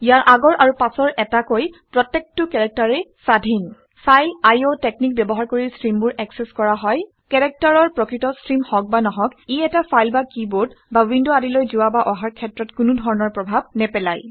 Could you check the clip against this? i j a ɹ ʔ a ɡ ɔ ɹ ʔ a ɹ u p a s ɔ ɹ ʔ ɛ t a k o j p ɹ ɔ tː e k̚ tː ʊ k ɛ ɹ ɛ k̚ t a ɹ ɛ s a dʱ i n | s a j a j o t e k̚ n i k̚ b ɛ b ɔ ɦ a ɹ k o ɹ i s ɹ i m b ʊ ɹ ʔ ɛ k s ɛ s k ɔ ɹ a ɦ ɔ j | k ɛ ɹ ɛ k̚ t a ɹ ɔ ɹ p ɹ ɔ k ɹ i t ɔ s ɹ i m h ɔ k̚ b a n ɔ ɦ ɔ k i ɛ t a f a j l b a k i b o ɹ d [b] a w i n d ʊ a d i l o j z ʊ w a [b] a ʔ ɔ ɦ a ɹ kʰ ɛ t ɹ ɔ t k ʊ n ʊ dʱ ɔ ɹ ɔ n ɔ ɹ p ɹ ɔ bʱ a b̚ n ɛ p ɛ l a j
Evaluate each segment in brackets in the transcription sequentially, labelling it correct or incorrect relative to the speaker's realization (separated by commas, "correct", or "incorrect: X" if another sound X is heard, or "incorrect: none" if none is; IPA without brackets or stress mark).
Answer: correct, correct